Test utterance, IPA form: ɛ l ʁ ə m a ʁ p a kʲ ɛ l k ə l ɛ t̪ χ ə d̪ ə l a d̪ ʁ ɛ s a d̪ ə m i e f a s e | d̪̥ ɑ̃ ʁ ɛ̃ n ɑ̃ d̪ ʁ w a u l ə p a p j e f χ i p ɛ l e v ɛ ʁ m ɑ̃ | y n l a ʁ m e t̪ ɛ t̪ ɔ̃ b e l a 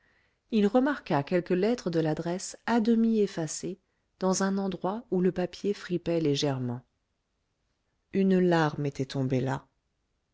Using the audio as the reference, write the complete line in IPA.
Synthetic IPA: i l ʁ ə m a ʁ k a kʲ ɛ l k ə l ɛ t̪ χ ə d̪ ə l a d̪ ʁ ɛ s a d̪ ə m i e f a s e | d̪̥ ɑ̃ z ɛ̃ n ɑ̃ d̪ ʁ w a u l ə p a p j e f χ i p ɛ l e ʒ ɛ ʁ m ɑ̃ | y n l a ʁ m e t̪ ɛ t̪ ɔ̃ b e l a